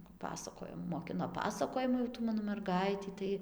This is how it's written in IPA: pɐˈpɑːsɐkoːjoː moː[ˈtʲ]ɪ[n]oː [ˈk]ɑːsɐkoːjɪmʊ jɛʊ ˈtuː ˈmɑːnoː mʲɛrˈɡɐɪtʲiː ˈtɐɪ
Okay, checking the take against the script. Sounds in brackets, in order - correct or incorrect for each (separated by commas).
incorrect, correct, incorrect